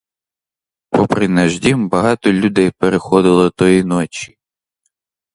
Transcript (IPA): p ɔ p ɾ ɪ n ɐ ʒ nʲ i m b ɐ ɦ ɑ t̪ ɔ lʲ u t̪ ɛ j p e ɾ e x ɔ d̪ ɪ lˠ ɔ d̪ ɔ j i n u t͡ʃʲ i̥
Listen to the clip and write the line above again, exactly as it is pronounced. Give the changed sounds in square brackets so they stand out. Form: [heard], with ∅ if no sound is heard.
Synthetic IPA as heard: p ɔ p ɾ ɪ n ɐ ʒ [dʲ] i m b ɐ ɦ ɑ t̪ ɔ lʲ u [d̪] ɛ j p e ɾ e x ɔ d̪ ɪ lˠ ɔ [t̪] ɔ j i n [ɔ] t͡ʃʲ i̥